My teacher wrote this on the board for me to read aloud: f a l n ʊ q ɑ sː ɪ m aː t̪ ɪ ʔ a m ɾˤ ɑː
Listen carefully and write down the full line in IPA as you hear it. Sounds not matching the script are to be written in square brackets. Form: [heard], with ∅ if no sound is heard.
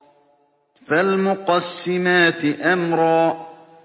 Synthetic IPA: f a l [m] ʊ q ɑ sː ɪ m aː t̪ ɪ ʔ a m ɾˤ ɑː